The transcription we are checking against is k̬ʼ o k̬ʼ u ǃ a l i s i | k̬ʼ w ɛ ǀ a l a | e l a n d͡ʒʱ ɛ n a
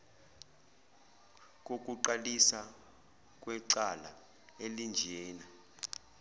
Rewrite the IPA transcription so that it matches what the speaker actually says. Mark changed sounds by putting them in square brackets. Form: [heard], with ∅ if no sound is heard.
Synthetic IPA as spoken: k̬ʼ o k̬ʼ u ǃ a l i s [a] | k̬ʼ w ɛ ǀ a l a | e l [i] n d͡ʒʱ [ɛː] n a